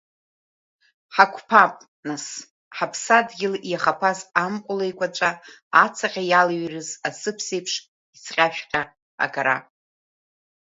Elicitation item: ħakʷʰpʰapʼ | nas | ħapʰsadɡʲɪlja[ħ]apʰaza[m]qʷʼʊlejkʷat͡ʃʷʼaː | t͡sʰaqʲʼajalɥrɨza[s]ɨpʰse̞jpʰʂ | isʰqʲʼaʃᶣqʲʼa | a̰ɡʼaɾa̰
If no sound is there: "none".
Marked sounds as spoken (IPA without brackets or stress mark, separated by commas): χ, m, s